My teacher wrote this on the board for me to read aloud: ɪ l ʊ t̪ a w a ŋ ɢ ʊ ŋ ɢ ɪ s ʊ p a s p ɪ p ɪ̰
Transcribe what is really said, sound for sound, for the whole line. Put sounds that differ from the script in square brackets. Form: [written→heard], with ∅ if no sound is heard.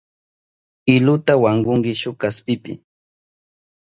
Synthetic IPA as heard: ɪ l ʊ t̪ a w a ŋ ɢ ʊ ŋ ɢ ɪ [s→ʃ] ʊ [p→k] a s p ɪ p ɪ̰